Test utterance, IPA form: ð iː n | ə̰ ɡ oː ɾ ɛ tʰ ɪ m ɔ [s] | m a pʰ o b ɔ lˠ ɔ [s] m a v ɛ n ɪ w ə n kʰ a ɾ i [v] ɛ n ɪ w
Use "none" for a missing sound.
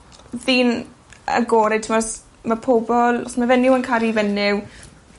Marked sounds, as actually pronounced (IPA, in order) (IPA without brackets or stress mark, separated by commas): s, s, v